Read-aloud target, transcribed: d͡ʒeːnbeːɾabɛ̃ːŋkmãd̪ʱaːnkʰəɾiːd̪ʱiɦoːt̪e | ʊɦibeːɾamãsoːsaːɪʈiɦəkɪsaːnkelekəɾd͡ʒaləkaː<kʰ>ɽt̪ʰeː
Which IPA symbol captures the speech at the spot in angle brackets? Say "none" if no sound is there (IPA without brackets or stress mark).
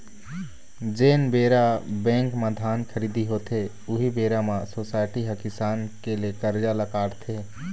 none